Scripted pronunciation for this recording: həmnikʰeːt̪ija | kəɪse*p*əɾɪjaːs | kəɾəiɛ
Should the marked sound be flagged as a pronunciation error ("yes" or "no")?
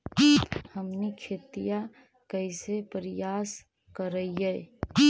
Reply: no